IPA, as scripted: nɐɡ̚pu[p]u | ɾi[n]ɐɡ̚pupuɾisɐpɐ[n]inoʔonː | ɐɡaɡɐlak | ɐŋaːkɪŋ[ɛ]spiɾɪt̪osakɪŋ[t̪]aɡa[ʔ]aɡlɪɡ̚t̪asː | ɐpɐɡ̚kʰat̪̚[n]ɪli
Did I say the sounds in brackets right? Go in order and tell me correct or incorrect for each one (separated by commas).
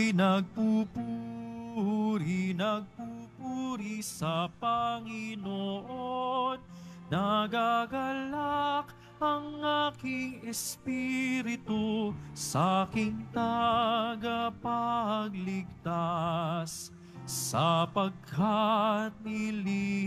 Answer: correct, correct, incorrect, correct, correct, incorrect, correct